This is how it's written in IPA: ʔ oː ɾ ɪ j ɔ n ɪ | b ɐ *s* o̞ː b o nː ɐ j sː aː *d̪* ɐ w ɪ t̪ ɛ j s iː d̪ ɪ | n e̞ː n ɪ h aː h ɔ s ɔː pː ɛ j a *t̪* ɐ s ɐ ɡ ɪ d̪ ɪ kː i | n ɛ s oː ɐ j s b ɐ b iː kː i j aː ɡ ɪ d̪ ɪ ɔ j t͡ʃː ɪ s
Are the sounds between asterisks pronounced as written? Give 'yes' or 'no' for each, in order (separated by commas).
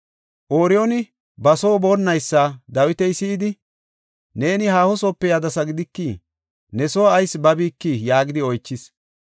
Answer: yes, yes, no